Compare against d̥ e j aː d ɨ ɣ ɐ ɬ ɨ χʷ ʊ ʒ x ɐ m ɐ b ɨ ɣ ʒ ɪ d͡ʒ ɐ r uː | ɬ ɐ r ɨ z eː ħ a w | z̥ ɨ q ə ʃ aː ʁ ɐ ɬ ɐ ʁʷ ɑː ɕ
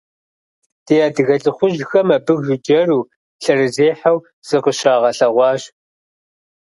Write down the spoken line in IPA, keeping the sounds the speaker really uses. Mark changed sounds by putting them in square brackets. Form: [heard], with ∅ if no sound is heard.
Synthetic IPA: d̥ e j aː d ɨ ɣ ɐ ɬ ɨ χʷ ʊ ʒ x ɐ m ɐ b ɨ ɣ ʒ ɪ d͡ʒ ɐ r uː | ɬ ɐ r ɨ z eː ħ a w | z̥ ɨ q ə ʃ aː ʁ ɐ ɬ ɐ ʁʷ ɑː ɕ